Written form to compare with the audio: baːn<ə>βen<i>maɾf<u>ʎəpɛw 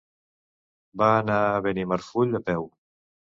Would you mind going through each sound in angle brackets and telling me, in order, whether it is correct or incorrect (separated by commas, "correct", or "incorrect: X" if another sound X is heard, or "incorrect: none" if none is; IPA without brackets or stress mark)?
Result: incorrect: a, correct, correct